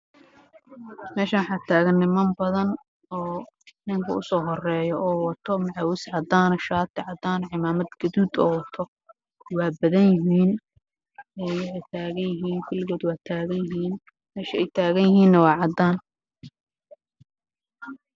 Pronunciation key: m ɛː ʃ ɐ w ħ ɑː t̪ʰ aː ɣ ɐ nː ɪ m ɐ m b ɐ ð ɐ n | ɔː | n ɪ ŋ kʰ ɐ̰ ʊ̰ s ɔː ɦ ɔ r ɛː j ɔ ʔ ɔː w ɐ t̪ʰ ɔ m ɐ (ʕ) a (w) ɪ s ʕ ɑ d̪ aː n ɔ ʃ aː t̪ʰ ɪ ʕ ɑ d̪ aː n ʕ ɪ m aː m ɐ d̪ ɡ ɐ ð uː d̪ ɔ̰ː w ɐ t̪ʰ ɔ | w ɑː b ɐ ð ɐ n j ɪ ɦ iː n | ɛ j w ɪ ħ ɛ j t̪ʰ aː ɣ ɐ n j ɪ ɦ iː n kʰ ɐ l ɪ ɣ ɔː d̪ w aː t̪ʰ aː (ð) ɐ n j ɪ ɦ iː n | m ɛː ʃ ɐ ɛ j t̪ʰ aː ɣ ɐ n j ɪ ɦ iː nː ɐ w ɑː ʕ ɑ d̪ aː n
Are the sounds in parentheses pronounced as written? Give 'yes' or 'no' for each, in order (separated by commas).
yes, yes, no